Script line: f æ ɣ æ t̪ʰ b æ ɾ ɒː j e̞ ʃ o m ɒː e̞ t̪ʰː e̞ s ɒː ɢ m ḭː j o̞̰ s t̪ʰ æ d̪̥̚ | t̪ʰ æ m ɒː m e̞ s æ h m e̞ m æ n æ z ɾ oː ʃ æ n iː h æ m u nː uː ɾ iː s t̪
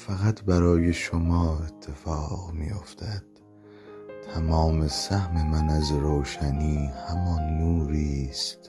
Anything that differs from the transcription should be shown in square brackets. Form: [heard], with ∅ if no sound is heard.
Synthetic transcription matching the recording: f æ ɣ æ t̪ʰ b æ ɾ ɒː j e̞ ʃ o m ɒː e̞ t̪ʰː e̞ [f] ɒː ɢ m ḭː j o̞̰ [f] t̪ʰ æ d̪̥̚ | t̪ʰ æ m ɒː m e̞ s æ h m e̞ m æ n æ z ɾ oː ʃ æ n iː h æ m [ɒ] nː uː ɾ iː s t̪